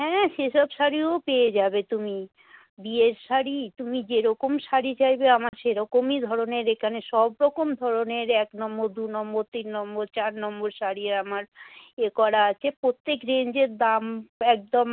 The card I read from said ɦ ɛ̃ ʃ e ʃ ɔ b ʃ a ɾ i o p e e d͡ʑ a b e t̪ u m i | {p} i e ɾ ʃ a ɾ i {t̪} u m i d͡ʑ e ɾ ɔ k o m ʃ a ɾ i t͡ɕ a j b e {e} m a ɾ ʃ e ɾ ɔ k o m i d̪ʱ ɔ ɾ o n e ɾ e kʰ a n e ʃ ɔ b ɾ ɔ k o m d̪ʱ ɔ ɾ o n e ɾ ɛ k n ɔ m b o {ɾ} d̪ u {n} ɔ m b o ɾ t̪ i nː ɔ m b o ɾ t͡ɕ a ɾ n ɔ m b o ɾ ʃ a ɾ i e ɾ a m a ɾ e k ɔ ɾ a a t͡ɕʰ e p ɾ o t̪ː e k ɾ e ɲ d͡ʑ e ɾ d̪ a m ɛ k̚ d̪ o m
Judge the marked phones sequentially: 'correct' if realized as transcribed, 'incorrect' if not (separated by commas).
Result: incorrect, correct, incorrect, correct, correct